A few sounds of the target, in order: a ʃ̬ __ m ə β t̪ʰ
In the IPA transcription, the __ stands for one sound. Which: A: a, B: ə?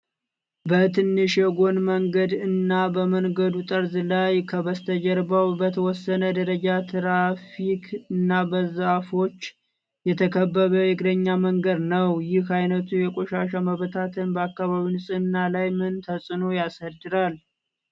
A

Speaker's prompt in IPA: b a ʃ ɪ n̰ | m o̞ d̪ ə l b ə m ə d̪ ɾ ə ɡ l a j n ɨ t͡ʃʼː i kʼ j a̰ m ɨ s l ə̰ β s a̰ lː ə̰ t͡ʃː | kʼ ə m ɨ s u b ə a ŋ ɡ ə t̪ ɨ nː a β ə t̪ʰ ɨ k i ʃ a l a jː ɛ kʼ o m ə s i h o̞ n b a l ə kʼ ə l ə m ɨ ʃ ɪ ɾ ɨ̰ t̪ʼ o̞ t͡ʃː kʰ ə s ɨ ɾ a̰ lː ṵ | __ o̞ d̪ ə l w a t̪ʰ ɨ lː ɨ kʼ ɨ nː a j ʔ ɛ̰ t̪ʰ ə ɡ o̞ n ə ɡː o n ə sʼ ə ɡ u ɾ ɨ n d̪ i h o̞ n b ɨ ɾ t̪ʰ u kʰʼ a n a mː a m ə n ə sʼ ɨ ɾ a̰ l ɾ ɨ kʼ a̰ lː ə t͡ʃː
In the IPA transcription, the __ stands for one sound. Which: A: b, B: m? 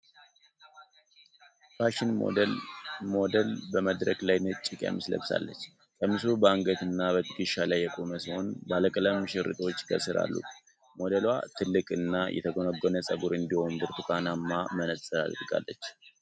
B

